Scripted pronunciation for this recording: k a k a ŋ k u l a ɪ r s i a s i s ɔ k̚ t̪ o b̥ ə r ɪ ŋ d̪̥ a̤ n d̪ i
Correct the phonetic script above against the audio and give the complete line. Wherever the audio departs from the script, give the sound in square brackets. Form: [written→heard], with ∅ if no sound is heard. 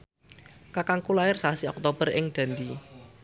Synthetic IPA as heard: k a k a ŋ k u l a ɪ r s [i→a] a s i [s→∅] ɔ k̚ t̪ o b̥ ə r ɪ ŋ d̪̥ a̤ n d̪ i